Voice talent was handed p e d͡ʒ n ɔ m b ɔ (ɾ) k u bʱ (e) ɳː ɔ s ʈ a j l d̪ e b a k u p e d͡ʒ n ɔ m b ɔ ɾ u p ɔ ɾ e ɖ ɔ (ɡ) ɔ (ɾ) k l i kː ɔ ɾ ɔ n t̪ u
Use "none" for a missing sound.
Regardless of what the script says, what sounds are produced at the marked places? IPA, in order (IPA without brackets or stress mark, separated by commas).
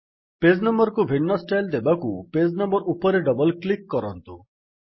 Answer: ɾ, i, b, l